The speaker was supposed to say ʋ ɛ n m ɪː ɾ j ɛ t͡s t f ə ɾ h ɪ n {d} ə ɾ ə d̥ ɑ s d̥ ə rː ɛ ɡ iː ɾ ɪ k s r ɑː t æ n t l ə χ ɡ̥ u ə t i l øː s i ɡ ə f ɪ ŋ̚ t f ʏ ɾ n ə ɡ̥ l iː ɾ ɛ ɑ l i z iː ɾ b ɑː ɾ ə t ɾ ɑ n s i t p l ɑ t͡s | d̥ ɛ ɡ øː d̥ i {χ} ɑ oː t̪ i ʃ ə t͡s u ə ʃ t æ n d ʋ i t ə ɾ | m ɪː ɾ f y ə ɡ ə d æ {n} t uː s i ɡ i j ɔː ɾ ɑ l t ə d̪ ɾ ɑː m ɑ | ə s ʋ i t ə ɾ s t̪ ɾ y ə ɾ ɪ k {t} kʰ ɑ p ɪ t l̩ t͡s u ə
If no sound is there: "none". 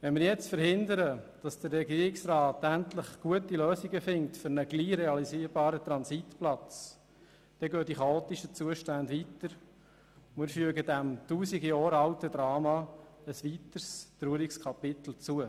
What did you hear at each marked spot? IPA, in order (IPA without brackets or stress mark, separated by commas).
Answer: d, χ, m, s